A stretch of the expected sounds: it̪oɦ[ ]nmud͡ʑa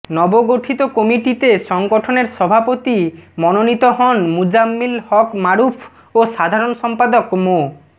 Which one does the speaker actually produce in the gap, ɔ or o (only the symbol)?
ɔ